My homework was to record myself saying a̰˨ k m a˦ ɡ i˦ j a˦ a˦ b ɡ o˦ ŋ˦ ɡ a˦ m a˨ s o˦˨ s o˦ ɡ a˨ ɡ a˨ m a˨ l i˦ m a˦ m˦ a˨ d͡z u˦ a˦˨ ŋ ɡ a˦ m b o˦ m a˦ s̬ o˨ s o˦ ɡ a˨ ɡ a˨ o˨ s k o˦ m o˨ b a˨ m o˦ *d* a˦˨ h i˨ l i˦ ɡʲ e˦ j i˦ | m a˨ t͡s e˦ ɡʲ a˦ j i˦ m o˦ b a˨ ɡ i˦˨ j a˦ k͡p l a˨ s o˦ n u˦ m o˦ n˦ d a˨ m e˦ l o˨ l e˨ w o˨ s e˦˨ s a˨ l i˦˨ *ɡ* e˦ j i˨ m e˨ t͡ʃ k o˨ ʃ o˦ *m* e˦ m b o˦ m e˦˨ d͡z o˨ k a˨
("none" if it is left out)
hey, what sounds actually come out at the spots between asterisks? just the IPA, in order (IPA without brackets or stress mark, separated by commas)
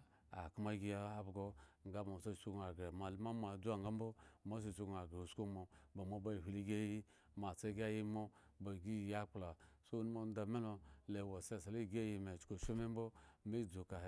b, ɡ, m